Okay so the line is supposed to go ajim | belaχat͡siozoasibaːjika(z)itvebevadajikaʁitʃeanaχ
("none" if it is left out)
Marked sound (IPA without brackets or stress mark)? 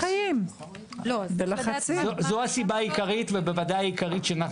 ʁ